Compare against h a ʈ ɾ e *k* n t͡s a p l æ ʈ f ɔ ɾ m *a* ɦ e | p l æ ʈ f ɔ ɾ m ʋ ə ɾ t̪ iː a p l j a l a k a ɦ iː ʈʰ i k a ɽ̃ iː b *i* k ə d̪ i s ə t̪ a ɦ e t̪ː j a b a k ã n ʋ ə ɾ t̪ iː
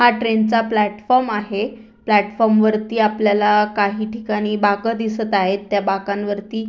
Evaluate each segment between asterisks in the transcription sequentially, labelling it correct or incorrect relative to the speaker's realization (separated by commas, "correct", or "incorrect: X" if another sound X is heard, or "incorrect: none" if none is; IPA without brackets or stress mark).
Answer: incorrect: none, correct, incorrect: a